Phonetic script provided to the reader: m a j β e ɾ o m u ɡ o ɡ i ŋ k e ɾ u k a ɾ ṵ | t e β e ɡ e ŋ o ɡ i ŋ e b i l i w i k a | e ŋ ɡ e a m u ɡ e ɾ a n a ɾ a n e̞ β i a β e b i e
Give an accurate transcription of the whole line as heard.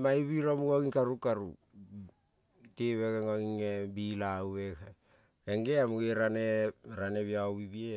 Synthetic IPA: m a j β i ɾ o m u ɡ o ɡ i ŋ k a ɾ u k a ɾ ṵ | t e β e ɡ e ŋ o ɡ i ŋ e b i l a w e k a | e ŋ ɡ e a m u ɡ e ɾ a n e ɾ a n e̞ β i a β i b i e